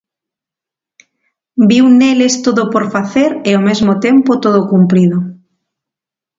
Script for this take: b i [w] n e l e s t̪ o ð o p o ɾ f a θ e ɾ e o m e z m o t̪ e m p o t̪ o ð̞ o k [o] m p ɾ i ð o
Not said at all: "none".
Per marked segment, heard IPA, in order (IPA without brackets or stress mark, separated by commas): w, u